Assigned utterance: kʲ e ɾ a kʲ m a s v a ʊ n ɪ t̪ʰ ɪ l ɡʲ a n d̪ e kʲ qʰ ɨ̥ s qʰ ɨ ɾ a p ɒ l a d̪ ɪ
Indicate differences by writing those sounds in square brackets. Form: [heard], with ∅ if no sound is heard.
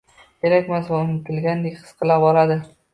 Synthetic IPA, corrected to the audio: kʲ e ɾ a kʲ m a s v a ʊ n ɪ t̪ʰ ɪ l ɡʲ a n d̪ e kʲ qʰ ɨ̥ s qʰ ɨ [l] a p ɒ l a d̪ ɪ